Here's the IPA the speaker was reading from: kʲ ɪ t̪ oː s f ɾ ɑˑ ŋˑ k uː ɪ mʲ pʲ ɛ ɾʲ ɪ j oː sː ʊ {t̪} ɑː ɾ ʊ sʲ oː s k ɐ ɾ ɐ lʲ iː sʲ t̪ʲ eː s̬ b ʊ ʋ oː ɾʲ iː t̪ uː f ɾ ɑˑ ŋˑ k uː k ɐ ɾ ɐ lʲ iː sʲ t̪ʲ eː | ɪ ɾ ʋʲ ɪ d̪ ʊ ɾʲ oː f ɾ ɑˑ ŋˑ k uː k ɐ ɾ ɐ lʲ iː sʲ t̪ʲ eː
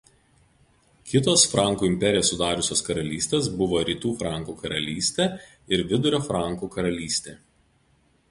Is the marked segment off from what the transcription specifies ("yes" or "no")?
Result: yes